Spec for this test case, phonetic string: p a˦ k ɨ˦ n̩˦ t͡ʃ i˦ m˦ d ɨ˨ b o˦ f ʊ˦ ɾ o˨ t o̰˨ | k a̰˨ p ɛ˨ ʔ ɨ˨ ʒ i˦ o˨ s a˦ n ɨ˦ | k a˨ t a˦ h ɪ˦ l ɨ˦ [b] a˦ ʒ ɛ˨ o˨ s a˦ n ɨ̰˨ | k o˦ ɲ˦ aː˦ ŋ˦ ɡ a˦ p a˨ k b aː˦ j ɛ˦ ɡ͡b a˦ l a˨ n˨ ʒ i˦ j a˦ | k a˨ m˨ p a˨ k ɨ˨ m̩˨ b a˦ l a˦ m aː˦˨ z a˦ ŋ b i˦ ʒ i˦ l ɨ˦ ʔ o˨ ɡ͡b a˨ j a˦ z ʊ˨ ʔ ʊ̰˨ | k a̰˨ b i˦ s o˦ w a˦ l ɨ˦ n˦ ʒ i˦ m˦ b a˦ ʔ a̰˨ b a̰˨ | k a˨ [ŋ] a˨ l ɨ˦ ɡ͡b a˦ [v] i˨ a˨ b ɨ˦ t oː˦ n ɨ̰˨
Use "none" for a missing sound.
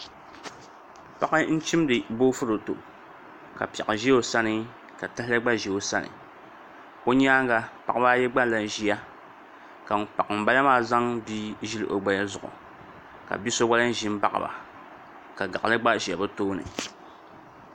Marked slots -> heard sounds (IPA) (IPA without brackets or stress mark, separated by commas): ɡ͡b, ɡ, ʒ